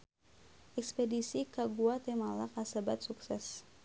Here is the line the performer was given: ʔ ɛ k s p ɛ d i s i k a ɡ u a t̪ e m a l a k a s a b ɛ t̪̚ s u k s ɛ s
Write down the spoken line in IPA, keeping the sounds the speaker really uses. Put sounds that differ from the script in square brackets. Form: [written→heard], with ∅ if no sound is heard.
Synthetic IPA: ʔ ɛ k s p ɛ d i s i k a ɡ u a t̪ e m a l a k a s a b [ɛ→a] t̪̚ s u k s ɛ s